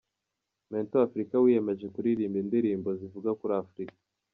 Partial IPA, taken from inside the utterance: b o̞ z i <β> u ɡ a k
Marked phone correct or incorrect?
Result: incorrect